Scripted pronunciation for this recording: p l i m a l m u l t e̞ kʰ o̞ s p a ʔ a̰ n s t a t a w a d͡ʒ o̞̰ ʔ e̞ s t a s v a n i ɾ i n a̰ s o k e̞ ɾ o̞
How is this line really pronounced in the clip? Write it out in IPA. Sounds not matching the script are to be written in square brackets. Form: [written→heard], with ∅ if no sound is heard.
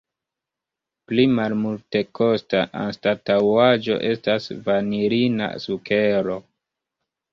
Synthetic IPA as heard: p l i m a l m u l t e̞ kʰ o̞ s [p→t] a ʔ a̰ n s t a t a w a d͡ʒ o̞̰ ʔ e̞ s t a s v a n i ɾ i n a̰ s [o→u] k e̞ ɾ o̞